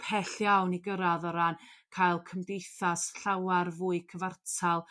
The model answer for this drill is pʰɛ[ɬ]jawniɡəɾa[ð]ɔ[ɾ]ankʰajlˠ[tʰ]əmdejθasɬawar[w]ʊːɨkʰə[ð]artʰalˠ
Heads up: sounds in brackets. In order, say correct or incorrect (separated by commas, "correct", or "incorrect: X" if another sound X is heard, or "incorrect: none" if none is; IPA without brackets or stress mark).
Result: correct, correct, correct, incorrect: kʰ, incorrect: v, incorrect: v